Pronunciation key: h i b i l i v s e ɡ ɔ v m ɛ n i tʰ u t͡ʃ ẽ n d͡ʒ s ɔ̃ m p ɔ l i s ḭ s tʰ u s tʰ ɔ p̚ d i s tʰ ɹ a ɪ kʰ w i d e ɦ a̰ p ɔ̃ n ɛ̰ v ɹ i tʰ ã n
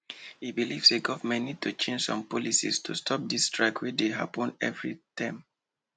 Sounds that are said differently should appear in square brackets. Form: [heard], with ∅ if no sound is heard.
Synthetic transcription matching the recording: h i b i l i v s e ɡ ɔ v m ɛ n i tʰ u t͡ʃ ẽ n d͡ʒ s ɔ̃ m p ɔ l i s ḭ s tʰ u s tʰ ɔ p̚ d i s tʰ ɹ a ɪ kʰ w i d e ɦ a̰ p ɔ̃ n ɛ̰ v ɹ i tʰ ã [m]